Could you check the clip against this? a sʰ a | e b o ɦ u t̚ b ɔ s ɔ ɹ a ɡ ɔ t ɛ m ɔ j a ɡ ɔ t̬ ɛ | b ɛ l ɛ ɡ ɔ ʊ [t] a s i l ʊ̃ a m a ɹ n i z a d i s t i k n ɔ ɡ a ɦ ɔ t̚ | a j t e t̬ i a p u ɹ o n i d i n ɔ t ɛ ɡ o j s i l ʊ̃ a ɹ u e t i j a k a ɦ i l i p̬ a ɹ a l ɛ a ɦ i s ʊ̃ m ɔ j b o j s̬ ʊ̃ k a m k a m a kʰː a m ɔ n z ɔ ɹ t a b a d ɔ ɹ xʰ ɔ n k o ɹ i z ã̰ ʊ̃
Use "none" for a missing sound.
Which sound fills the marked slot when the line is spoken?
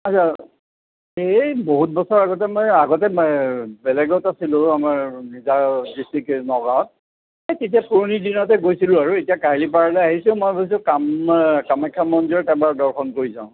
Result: t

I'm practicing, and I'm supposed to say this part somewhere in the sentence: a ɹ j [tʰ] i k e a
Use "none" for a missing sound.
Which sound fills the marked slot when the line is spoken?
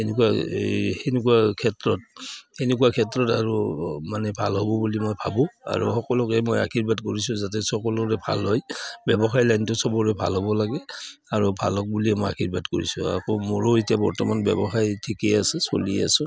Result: tʰ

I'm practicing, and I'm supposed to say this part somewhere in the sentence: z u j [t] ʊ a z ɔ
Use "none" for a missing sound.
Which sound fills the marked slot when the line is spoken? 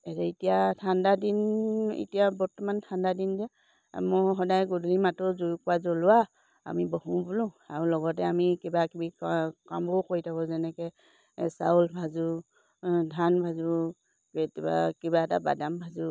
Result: k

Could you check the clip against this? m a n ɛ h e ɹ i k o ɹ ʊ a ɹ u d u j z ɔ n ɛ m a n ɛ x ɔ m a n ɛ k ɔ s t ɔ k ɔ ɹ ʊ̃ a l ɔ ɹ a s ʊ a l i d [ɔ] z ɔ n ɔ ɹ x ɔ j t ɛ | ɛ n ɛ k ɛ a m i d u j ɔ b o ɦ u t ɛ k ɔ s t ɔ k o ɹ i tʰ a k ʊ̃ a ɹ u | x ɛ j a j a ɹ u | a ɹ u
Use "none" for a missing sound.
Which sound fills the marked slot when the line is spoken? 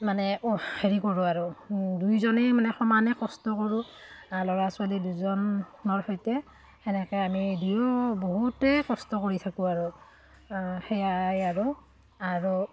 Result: u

